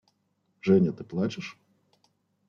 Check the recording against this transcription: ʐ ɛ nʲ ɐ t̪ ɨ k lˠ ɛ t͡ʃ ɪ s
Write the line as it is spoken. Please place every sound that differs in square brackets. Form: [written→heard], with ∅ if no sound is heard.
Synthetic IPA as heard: ʐ ɛ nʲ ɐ t̪ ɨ [k→p] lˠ [ɛ→a] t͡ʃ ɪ [s→ʂ]